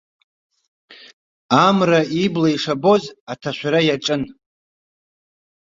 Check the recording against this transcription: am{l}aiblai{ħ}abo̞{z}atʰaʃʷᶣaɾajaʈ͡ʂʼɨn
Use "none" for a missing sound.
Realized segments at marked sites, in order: r, ʂ, z

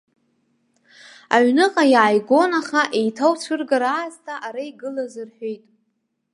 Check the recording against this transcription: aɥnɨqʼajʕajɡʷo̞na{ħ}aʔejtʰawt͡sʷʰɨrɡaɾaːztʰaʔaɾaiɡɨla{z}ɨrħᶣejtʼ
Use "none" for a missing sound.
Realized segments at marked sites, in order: χ, z

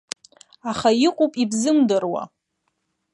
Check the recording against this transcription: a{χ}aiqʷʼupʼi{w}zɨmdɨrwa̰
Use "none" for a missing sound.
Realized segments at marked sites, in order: χ, b

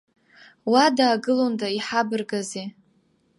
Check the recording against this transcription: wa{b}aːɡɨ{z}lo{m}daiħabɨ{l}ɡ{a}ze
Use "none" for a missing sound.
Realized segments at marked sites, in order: d, none, n, r, a

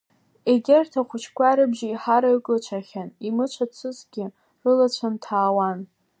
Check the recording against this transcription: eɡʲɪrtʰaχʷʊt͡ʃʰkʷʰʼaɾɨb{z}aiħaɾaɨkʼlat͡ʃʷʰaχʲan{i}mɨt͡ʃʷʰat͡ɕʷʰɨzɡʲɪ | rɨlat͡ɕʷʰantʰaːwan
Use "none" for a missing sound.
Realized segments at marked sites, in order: ʒ, i

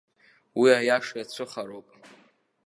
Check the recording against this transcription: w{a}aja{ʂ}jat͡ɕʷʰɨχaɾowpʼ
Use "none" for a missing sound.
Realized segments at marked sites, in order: i, ʂ

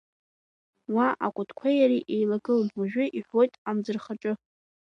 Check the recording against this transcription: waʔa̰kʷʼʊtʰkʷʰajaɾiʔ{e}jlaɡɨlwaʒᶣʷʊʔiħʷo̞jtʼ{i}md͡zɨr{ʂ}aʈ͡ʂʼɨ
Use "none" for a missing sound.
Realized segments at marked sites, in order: e, a, χ

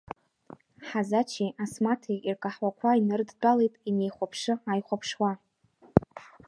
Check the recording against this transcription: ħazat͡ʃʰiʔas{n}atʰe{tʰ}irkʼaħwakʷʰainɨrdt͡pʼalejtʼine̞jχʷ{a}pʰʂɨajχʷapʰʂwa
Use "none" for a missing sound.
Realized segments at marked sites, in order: m, none, a

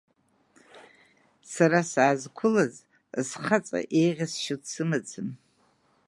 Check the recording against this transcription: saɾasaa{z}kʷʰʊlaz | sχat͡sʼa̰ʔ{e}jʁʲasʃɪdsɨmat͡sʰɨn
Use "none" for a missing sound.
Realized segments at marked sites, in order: z, e

